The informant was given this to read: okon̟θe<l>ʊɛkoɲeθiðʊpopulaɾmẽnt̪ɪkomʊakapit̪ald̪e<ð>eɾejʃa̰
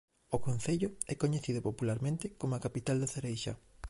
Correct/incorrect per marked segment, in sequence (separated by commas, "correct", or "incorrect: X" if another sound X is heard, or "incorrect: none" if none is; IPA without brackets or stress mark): incorrect: ʎ, incorrect: θ